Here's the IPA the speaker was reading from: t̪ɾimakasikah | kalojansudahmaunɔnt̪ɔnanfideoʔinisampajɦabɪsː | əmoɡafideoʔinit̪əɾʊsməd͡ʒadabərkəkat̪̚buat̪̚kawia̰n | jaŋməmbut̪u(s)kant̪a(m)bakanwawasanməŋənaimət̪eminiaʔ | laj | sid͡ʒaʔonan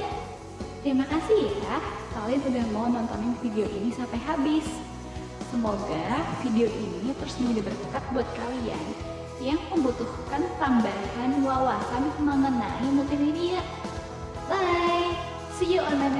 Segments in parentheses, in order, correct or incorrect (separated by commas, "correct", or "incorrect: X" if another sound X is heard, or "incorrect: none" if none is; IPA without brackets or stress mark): incorrect: h, correct